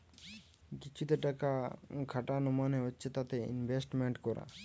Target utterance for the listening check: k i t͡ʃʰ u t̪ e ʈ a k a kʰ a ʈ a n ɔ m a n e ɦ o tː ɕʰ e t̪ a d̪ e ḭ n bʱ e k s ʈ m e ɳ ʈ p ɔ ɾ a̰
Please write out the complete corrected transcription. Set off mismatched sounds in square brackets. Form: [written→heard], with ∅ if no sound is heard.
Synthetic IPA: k i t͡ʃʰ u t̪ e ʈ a k a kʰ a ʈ a n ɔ m a n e ɦ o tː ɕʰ e t̪ a [d̪→t̪] e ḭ n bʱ e [k→∅] s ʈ m e ɳ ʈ [p→k] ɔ ɾ a̰